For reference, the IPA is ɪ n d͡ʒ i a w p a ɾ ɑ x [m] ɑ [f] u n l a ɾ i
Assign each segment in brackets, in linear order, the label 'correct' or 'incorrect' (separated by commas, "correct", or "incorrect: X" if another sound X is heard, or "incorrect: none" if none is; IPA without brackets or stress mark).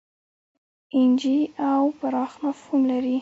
incorrect: n, correct